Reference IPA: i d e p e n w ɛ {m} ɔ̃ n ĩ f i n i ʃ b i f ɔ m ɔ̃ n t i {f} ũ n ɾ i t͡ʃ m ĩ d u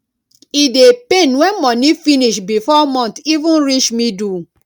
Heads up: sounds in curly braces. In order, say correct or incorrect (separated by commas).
correct, incorrect